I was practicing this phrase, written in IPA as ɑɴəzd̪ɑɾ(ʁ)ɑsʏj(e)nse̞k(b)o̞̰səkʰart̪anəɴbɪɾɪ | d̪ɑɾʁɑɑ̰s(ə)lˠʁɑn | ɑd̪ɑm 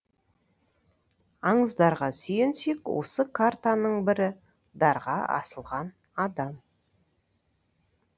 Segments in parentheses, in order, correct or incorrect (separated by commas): correct, correct, incorrect, correct